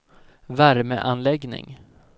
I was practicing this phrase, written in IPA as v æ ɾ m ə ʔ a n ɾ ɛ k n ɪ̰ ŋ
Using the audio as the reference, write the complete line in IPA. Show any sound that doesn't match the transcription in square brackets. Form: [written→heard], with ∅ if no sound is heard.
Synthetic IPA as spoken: v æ ɾ m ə ʔ a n [ɾ→l] ɛ [k→ɡ] n ɪ̰ ŋ